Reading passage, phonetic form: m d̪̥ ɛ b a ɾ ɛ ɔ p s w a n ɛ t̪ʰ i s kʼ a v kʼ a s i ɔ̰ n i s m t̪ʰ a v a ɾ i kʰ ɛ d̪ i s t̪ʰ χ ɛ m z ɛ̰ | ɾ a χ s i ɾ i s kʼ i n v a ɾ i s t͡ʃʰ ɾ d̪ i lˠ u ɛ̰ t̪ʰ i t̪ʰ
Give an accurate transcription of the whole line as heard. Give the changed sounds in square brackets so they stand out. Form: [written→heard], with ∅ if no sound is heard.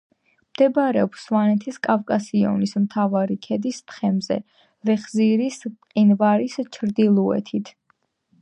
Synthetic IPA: m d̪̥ ɛ b a ɾ ɛ ɔ p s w a n ɛ t̪ʰ i s kʼ a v kʼ a s i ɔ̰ n i s m t̪ʰ a v a ɾ i kʰ ɛ d̪ i s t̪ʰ χ ɛ m z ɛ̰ | ɾ [a→ɛ] χ [s→z] i ɾ i s [kʼ→qʼ] i n v a ɾ i s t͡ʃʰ ɾ d̪ i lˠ u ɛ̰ t̪ʰ i t̪ʰ